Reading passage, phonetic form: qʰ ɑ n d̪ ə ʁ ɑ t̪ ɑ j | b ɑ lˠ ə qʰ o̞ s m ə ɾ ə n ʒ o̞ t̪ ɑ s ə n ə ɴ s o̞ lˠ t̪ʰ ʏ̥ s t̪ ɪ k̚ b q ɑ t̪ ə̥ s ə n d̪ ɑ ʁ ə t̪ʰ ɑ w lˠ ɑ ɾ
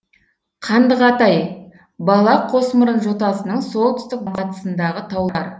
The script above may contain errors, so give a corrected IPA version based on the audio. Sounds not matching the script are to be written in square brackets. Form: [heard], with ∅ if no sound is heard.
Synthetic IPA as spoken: qʰ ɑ n d̪ ə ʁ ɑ t̪ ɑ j | b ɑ lˠ [ɑ] qʰ o̞ s m ə ɾ ə n ʒ o̞ t̪ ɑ s ə n ə ɴ s o̞ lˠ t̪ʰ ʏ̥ s t̪ ɪ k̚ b q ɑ t̪ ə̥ s ə n d̪ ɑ ʁ ə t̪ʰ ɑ w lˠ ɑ ɾ